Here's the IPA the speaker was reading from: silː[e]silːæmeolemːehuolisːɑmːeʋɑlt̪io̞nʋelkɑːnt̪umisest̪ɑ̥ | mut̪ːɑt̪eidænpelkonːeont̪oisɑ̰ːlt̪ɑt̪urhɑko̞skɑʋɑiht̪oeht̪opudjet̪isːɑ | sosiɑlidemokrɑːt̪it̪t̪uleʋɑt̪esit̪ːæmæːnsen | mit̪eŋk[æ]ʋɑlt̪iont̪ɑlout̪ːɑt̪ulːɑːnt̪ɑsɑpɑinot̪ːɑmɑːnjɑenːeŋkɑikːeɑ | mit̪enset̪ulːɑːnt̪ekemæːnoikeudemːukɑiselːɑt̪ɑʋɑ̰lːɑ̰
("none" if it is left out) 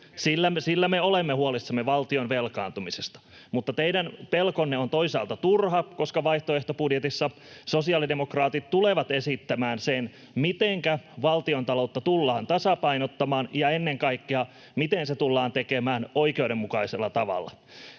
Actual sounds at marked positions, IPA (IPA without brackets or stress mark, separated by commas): æ, æ